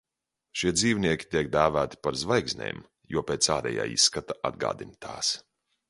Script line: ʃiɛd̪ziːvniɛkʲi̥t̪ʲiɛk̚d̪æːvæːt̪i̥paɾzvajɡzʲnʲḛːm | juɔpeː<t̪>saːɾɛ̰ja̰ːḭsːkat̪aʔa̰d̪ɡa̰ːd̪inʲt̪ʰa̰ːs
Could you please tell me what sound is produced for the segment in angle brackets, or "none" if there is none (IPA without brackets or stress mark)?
t̪